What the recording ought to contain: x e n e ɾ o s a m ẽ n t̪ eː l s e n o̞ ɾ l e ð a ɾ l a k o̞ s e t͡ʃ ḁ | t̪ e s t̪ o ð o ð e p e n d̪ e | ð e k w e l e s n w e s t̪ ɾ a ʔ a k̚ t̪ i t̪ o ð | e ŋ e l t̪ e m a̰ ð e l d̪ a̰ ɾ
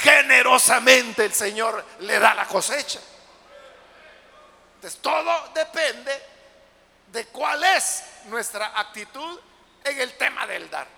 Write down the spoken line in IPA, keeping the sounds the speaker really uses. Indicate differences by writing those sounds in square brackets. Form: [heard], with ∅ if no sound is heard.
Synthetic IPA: x e n e ɾ o s a m ẽ n t̪ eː l s e [ɲ] o̞ ɾ l e ð a [∅] l a k o̞ s e t͡ʃ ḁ | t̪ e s t̪ o ð o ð e p e n d̪ e | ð e k w [a] l e s n w e s t̪ ɾ a ʔ a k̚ t̪ i t̪ [u] ð | e ŋ e l t̪ e m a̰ ð e l d̪ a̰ ɾ